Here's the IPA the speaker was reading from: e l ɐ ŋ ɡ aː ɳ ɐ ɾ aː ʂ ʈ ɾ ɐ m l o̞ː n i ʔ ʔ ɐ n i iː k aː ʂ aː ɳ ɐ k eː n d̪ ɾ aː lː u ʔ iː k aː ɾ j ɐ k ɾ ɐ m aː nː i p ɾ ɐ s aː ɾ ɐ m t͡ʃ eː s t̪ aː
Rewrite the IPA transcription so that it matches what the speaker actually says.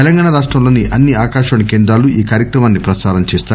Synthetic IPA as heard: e l ɐ ŋ ɡ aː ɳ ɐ ɾ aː ʂ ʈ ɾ ɐ m l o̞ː n i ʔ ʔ ɐ nː i aː k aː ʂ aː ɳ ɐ k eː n d̪ ɾ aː l u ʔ iː k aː ɾ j ɐ k ɾ ɐ m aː nː i p ɾ ɐ s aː ɾ ɐ m t͡ʃ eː s t̪ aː